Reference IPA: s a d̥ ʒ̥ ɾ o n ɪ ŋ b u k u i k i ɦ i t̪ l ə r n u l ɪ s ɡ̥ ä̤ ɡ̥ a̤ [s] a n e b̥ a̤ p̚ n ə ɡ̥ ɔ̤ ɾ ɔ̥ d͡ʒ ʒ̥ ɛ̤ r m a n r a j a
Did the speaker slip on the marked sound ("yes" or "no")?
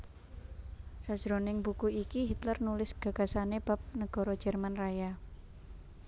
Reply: no